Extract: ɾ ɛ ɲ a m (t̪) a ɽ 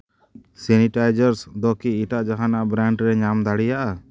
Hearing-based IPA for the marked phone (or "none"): d̪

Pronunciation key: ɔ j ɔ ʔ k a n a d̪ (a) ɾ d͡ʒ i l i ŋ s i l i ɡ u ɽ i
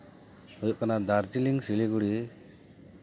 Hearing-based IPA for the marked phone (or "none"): a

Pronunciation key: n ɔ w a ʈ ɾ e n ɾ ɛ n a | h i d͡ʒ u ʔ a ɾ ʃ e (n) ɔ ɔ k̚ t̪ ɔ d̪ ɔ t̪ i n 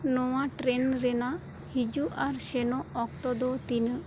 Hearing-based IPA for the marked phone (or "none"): n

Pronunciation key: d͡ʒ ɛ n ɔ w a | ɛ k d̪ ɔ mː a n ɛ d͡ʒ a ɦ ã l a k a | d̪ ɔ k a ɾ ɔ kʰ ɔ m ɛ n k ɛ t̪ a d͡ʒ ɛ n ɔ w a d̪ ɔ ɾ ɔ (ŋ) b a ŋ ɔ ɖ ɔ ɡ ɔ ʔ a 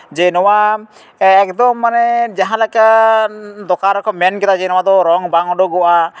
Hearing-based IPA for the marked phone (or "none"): ŋ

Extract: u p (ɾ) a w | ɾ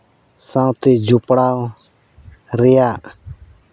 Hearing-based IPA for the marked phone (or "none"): ɽ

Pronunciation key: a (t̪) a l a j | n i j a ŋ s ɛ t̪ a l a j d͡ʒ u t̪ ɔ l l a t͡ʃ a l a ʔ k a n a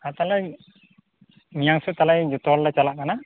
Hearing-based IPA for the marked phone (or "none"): t̪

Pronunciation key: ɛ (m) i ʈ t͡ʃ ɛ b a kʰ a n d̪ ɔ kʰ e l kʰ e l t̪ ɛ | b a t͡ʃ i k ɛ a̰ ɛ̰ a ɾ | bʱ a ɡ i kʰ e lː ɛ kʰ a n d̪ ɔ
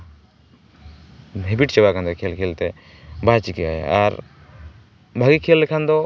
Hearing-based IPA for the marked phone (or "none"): b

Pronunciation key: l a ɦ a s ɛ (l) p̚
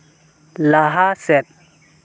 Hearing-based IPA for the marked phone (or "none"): none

